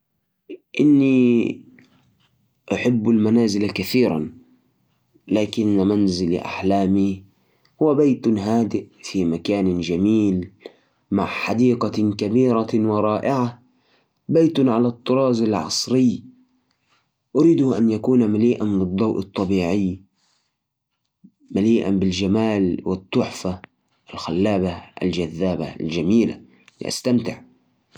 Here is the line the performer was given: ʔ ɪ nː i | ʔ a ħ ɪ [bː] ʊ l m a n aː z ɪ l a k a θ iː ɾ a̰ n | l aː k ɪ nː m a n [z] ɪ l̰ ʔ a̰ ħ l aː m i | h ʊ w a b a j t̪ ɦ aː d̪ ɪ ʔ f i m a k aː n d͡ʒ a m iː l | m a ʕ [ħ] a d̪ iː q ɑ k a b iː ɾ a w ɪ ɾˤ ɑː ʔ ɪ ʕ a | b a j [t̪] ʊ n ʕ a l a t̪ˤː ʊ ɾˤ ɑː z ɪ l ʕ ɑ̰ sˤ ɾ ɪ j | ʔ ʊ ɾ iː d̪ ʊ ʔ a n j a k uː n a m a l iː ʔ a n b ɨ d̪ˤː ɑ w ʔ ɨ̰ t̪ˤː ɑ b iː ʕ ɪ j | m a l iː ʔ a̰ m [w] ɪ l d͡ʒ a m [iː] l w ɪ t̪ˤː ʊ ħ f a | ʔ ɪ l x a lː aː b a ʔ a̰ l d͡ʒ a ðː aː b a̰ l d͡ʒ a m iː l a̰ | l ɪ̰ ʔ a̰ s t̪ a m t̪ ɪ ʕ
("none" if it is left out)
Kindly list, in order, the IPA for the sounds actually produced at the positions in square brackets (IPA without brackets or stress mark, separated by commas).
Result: bː, z, ħ, t̪, b, aː